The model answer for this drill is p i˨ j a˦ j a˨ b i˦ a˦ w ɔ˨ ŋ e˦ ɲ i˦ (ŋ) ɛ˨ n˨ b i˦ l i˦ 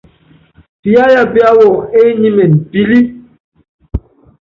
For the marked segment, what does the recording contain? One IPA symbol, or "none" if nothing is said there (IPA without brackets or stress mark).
m